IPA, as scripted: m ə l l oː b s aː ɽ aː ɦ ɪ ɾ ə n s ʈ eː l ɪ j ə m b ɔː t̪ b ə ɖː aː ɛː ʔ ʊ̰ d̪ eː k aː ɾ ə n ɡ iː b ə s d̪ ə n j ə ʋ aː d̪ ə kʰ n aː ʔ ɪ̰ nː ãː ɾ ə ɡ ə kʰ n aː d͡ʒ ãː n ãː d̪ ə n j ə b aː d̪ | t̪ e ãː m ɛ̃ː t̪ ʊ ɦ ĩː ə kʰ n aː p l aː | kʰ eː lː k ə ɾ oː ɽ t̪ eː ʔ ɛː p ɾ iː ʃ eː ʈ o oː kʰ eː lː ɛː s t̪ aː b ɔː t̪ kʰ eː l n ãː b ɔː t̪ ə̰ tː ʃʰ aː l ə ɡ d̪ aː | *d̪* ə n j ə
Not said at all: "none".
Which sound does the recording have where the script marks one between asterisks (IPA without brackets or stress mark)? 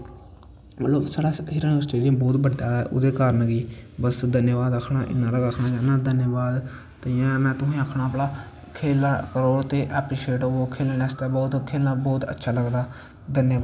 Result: d̪